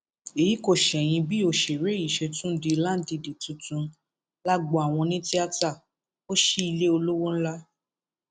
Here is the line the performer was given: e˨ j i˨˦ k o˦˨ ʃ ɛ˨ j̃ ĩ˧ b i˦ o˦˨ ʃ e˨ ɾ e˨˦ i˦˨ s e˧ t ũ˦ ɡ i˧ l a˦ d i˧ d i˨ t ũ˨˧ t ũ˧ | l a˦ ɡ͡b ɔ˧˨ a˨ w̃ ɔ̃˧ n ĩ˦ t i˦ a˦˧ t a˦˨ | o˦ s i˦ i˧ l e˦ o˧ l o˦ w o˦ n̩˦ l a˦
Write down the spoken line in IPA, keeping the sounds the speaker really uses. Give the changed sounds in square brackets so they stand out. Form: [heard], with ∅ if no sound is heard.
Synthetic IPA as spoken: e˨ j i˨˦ k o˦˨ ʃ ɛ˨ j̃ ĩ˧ b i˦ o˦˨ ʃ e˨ ɾ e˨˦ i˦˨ [ʃ] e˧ t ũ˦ [d] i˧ l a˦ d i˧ d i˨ t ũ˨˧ t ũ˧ | l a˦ ɡ͡b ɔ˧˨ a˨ w̃ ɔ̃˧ n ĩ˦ t i˦ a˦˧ t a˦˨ | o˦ [ʃ] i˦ i˧ l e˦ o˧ l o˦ w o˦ n̩˦ l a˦

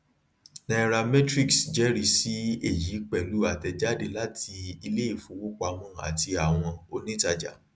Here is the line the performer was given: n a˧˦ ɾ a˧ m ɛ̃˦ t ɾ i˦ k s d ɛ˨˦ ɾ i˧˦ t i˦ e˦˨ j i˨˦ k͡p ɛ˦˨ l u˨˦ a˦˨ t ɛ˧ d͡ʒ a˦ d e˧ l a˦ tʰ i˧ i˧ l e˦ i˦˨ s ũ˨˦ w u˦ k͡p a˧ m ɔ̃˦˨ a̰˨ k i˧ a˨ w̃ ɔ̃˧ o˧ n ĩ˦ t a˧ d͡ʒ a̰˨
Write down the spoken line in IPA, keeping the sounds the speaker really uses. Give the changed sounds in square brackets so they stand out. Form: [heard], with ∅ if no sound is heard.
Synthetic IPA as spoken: n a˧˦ ɾ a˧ m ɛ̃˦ t ɾ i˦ k s [d͡ʒ] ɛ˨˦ ɾ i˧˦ [s] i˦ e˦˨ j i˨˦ k͡p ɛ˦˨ l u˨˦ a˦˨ t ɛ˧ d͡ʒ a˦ d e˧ l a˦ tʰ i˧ i˧ l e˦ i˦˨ [f] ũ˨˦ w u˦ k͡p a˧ m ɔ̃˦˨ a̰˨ [t] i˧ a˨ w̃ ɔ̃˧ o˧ n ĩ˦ t a˧ d͡ʒ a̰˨

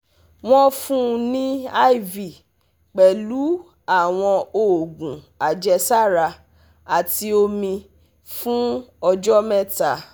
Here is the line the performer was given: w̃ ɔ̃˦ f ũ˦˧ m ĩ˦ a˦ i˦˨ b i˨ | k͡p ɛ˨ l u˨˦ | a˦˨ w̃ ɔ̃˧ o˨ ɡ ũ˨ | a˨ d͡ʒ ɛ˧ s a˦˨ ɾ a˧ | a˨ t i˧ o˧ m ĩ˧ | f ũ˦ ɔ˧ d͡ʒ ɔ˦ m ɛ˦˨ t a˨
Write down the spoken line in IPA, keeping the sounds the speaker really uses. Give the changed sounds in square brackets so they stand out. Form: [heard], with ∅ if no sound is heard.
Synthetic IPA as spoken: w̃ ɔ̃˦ f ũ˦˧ [n] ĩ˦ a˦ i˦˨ [v] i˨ | k͡p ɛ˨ l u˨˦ | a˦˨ w̃ ɔ̃˧ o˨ ɡ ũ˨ | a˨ d͡ʒ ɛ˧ s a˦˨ ɾ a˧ | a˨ t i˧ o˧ m ĩ˧ | f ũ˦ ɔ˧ d͡ʒ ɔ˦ m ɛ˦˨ t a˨

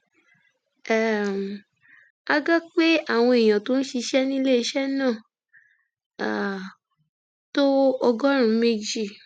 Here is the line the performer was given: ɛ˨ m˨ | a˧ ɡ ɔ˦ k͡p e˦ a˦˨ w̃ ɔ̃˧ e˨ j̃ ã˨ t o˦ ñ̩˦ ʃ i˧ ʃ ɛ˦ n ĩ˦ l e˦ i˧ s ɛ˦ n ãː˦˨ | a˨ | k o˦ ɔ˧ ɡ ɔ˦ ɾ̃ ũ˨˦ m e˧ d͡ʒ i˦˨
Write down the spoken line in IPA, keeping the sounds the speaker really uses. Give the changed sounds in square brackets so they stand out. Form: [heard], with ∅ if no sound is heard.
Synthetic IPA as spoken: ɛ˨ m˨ | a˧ ɡ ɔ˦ k͡p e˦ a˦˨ w̃ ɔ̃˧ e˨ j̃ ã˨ t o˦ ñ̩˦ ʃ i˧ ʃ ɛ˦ n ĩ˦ l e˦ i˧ [ʃ] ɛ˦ n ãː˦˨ | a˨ | [t] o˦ ɔ˧ ɡ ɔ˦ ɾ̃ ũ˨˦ m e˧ d͡ʒ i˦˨

